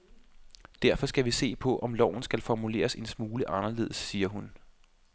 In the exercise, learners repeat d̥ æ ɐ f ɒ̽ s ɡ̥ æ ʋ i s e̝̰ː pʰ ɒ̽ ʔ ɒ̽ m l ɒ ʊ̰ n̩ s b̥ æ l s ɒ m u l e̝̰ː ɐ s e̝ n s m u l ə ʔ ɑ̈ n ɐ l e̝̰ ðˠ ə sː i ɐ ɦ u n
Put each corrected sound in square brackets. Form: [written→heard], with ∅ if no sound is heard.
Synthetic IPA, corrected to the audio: d̥ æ ɐ f ɒ̽ s ɡ̥ æ ʋ i s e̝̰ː pʰ ɒ̽ ʔ ɒ̽ m l ɒ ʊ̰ n̩ s [b̥→ɡ̥] æ l [s→f] ɒ m u l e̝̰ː ɐ s e̝ n s m [u→uː] l ə ʔ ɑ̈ n ɐ l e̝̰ ðˠ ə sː [i→iː] ɐ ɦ u n